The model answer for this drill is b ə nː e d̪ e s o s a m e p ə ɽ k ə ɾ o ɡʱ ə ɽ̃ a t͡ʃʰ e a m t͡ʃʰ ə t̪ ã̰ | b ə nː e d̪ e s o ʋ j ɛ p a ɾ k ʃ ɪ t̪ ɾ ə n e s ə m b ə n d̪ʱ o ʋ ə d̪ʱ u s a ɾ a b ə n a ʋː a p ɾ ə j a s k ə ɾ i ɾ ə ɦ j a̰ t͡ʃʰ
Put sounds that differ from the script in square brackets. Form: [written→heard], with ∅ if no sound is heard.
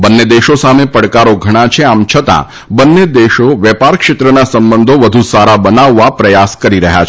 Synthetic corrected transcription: b ə nː e d̪ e [s→ʃ] o s a m e p ə ɽ k [ə→a] ɾ o ɡʱ ə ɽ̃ a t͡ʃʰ e a m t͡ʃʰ ə t̪ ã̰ | b ə nː e d̪ e [s→ʃ] o ʋ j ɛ p a ɾ k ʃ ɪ t̪ ɾ ə n [e→a] s ə m b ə n d̪ʱ o ʋ ə d̪ʱ u s a ɾ a b ə n a ʋː a p ɾ ə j a s k ə ɾ i ɾ ə ɦ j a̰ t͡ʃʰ